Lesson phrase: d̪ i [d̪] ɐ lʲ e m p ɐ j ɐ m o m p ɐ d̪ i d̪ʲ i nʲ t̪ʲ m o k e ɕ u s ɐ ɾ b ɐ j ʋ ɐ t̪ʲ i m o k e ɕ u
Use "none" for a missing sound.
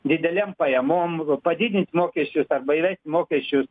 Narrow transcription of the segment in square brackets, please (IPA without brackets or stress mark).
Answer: d̪